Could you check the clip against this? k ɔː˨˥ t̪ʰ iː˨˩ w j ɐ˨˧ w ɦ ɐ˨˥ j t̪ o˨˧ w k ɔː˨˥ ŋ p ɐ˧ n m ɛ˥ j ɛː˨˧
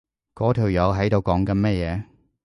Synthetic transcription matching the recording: k ɔː˨˥ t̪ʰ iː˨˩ w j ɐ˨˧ w ɦ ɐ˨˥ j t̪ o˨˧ w k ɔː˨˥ ŋ k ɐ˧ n m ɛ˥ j ɛː˨˧

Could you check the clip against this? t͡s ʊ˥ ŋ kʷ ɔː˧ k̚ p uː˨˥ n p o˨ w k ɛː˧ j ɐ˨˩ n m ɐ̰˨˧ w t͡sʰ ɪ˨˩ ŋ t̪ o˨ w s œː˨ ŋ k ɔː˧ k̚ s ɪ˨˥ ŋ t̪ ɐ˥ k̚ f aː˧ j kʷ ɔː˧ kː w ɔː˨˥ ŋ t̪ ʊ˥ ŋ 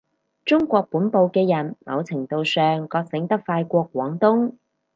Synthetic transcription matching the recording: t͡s ʊ˥ ŋ kʷ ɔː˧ k̚ p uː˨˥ n p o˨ w k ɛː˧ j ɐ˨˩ n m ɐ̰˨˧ w t͡sʰ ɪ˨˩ ŋ t̪ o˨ w s œː˨ ŋ k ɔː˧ k̚ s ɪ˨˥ ŋ t̪ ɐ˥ k̚ f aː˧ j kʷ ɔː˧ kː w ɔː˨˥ ŋ t̪ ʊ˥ ŋ

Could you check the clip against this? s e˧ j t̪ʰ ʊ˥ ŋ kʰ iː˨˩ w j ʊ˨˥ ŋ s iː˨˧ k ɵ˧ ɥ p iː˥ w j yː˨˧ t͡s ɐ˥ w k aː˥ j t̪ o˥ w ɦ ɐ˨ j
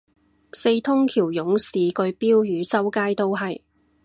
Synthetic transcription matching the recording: s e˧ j t̪ʰ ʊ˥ ŋ kʰ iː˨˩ w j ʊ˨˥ ŋ s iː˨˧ k ɵ˧ ɥ p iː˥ w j yː˨˧ t͡s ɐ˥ w k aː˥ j t̪ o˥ w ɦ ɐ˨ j

